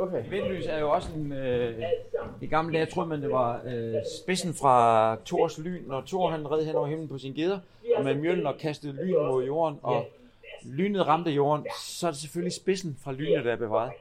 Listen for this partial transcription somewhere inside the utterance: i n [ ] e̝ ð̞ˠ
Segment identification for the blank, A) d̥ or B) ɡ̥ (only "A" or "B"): B